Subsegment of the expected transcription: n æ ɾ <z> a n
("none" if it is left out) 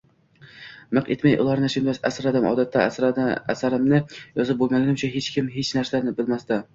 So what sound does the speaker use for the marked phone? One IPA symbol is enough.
s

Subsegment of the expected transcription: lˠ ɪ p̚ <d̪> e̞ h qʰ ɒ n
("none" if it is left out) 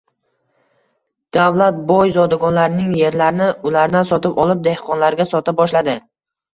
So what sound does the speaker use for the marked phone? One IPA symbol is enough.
d̪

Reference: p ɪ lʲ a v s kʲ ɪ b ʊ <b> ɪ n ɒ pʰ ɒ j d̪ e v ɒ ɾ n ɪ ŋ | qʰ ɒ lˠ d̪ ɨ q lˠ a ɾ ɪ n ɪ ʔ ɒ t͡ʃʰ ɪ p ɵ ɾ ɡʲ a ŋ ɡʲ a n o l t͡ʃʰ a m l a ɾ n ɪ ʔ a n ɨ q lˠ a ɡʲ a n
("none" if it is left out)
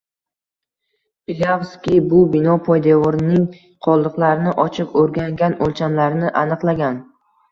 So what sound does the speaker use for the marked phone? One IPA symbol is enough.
b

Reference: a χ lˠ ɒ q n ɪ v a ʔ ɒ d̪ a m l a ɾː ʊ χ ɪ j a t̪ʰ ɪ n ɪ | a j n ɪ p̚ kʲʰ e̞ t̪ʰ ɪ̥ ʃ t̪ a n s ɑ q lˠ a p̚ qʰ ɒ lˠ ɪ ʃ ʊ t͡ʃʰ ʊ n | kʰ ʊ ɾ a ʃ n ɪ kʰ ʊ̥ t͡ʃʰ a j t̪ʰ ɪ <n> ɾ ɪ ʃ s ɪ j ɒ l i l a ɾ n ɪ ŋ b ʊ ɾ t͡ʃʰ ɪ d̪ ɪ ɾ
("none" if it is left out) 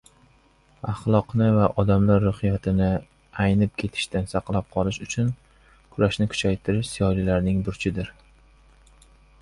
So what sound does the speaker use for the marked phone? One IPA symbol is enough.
none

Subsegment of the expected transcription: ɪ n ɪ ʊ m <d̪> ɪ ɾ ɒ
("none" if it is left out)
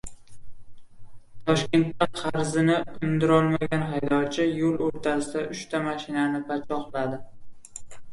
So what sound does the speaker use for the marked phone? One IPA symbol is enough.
d̪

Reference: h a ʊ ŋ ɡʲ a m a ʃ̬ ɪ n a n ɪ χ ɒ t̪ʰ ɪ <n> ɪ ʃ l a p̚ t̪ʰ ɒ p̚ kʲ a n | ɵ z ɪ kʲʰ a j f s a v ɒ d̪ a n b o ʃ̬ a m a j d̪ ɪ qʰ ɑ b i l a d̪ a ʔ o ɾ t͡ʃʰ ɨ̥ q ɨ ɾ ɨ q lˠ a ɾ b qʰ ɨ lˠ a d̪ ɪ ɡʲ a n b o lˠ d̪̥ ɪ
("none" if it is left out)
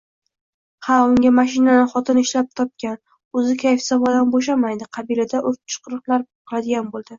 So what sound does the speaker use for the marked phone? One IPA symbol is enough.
n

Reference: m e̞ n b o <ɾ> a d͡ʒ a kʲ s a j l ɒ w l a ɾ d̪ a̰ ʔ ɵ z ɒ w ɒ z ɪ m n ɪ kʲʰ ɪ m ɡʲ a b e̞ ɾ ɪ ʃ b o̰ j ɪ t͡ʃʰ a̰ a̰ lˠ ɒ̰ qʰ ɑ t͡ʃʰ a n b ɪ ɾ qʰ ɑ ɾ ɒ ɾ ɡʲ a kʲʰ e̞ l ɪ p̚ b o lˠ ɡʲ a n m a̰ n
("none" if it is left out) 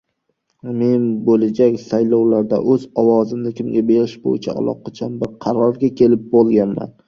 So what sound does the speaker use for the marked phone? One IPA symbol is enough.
l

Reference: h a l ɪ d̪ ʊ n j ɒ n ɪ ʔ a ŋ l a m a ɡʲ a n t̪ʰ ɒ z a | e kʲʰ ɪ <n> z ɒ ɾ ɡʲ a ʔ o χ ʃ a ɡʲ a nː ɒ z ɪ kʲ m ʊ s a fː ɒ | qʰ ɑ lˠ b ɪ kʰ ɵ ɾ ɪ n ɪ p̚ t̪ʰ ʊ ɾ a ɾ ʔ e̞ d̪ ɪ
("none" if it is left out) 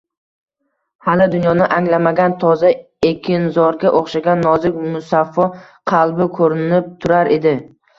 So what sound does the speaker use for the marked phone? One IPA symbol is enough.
n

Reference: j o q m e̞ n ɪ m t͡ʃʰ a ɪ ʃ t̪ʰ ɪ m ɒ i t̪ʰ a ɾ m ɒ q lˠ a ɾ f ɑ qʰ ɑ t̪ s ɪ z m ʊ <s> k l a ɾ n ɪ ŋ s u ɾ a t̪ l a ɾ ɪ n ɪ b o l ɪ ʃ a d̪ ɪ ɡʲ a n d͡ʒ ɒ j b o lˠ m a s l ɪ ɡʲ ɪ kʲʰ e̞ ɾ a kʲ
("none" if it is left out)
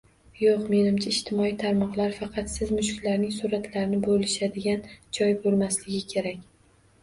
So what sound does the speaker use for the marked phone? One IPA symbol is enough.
ʃ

